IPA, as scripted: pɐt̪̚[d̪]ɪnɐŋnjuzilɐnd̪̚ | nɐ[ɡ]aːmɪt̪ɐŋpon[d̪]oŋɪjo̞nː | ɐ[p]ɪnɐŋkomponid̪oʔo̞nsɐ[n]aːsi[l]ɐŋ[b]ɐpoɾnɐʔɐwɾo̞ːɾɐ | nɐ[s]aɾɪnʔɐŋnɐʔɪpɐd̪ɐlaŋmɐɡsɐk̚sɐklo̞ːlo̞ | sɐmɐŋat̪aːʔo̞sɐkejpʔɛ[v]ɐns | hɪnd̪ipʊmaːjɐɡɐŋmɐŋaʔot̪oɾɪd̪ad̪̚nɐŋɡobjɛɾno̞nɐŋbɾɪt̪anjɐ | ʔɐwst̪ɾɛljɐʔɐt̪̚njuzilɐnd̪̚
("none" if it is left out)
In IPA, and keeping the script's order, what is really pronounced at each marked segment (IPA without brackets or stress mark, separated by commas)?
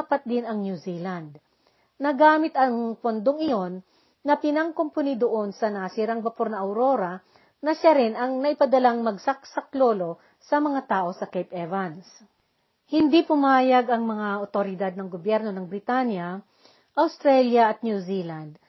d̪, ɡ, d̪, p, n, ɾ, b, ʃ, v